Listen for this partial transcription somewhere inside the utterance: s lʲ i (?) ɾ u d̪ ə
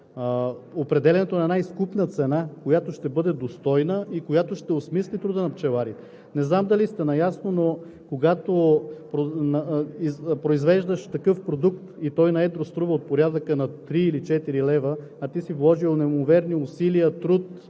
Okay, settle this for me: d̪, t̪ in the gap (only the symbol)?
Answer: t̪